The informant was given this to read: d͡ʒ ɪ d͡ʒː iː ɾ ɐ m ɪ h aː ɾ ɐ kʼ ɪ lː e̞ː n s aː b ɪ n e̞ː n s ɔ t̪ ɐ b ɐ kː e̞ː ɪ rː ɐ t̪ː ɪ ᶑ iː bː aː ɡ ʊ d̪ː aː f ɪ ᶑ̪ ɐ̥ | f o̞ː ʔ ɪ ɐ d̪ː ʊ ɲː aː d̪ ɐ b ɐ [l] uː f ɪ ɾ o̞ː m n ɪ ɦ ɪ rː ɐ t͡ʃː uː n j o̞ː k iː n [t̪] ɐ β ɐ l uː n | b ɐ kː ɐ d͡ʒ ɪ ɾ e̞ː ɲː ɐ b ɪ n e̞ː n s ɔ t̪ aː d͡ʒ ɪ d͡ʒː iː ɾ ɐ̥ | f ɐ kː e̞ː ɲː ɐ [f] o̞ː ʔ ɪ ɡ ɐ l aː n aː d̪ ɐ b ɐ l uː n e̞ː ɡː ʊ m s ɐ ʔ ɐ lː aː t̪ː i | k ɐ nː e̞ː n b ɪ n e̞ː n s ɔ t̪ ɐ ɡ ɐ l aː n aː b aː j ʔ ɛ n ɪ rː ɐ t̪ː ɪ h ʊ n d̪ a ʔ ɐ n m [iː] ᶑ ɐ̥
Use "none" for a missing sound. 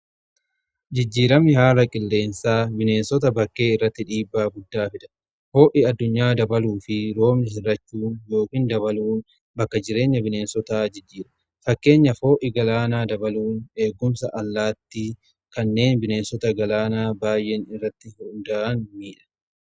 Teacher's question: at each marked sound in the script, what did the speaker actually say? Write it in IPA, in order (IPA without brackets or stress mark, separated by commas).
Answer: l, d̪, f, iː